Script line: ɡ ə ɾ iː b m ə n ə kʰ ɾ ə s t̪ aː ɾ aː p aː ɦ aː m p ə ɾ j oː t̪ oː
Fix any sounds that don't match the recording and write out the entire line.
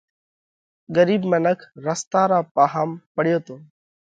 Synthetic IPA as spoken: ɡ ə ɾ iː b m ə n ə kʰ ɾ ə s t̪ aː ɾ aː p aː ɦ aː m p ə ɽ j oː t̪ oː